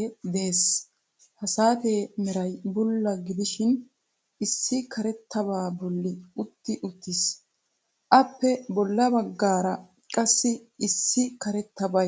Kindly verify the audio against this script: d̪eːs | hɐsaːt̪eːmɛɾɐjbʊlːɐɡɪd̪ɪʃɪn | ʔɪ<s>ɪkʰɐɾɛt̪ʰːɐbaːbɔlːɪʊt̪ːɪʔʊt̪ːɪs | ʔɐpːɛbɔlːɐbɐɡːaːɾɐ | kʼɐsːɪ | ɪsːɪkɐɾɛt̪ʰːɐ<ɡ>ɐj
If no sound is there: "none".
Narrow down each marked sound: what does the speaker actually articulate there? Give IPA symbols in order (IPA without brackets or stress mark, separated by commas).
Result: sː, b